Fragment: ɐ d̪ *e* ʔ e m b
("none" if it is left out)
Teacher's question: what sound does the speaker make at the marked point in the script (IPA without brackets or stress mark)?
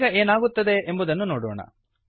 e